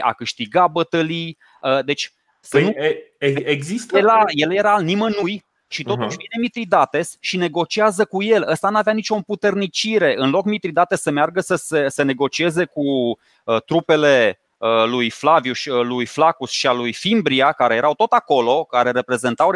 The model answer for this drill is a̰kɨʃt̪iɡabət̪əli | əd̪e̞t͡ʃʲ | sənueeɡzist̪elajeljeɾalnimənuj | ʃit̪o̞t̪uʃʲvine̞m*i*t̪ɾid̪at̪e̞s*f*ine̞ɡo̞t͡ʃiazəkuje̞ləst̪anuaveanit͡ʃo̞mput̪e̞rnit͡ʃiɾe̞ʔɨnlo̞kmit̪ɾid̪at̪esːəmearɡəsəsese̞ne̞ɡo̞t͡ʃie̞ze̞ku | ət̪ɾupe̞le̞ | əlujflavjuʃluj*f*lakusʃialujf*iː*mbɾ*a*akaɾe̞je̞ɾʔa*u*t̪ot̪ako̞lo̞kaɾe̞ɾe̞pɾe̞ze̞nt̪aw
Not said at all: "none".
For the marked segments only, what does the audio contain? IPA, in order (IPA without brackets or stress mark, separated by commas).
i, ʃ, f, i, i, w